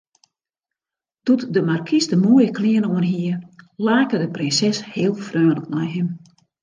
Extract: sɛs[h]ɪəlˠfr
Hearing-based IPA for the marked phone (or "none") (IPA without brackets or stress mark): h